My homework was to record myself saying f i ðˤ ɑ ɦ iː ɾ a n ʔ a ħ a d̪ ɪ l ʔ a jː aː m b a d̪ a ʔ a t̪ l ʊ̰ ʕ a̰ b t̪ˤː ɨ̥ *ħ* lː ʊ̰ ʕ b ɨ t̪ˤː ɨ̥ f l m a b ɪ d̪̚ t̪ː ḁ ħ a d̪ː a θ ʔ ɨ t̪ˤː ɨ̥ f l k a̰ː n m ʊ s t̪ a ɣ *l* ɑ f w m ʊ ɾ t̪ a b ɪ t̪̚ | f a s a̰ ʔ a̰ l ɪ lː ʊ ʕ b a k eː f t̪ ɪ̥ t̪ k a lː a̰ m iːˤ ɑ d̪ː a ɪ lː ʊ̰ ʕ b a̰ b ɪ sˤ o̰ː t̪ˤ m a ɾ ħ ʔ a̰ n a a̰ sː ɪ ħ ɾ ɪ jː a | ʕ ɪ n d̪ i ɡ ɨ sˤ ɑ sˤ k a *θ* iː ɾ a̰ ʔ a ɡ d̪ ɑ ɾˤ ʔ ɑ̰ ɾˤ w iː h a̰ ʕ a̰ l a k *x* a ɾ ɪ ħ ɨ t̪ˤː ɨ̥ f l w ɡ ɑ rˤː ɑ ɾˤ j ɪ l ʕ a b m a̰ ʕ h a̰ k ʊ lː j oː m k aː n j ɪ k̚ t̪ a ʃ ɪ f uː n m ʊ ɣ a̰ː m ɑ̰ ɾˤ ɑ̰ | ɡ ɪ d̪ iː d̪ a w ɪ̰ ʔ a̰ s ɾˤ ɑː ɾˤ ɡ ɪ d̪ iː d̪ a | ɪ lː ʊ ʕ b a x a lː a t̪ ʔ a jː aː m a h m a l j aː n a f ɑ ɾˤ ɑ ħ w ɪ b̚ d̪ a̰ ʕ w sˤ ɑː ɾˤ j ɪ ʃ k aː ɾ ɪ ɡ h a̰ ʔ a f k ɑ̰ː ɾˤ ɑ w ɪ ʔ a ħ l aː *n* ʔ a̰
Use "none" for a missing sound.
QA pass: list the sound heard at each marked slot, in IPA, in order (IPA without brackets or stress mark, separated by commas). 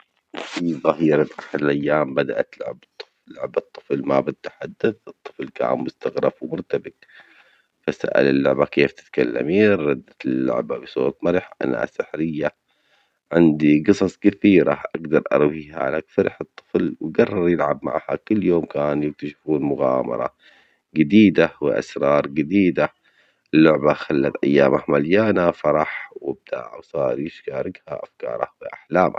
f, ɾ, θ, f, m